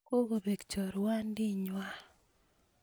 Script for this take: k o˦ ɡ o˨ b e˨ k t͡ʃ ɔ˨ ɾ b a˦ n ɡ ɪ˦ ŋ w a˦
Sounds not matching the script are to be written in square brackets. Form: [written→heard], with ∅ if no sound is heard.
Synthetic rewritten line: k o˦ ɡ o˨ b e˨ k t͡ʃ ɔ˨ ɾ [b→w] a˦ n [ɡ→d] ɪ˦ [ŋ→ɲ] w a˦